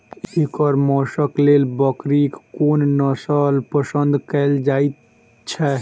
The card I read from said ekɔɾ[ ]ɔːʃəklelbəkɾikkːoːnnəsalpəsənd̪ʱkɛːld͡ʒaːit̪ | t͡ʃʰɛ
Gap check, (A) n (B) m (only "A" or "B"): B